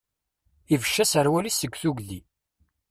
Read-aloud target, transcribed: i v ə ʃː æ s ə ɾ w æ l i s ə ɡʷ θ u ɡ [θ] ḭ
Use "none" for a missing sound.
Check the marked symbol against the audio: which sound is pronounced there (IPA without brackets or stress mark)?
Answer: ð